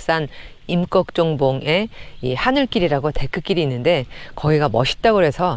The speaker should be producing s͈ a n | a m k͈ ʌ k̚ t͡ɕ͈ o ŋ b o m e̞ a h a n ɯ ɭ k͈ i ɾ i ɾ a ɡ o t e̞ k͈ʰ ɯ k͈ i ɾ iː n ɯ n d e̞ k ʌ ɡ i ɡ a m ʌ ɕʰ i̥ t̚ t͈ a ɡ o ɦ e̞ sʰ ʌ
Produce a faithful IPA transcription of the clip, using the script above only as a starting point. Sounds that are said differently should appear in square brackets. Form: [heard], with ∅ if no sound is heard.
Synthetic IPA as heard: s͈ a n | [i] m k͈ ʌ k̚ t͡ɕ͈ o ŋ b o [ŋ] e̞ [i] h a n ɯ ɭ k͈ i ɾ i ɾ a ɡ o t e̞ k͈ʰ ɯ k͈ i ɾ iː [nː] ɯ n d e̞ k ʌ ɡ i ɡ a m ʌ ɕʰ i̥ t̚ t͈ a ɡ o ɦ e̞ sʰ ʌ